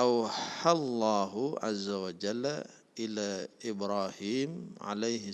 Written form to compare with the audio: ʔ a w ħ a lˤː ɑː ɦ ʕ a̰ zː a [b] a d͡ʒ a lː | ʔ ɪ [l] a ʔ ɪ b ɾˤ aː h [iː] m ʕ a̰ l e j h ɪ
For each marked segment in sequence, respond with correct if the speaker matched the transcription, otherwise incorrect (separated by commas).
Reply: incorrect, correct, correct